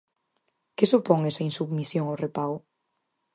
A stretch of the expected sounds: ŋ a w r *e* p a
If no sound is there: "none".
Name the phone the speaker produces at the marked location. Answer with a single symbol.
e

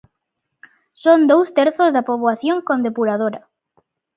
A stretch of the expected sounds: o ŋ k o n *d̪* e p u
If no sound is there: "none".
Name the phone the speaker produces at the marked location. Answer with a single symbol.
d̪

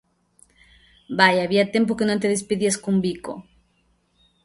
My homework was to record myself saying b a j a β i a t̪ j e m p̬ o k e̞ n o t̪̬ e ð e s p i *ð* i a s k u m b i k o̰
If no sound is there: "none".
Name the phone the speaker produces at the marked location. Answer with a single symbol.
ð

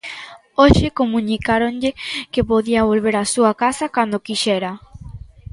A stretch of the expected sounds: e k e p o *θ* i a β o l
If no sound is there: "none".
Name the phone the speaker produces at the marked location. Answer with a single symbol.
ð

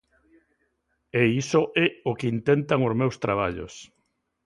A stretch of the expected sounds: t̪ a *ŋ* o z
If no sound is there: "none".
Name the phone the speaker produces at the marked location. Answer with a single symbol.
ŋ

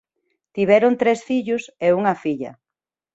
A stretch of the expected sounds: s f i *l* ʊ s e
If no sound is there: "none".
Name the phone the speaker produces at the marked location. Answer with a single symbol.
ʎ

